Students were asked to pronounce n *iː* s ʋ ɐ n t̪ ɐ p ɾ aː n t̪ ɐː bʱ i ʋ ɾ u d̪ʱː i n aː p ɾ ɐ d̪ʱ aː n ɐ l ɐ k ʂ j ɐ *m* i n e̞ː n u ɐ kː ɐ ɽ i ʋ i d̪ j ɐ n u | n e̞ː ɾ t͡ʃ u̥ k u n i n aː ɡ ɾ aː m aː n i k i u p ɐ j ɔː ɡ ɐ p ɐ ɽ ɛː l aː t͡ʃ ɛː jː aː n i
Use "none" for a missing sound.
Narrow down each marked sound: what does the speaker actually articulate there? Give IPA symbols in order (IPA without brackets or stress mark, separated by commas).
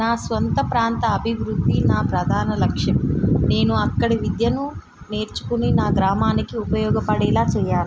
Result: aː, m